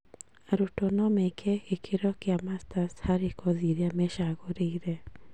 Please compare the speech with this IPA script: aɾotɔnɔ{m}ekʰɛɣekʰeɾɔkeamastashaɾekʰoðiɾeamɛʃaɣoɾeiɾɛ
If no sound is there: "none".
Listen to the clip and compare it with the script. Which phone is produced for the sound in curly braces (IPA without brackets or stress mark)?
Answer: m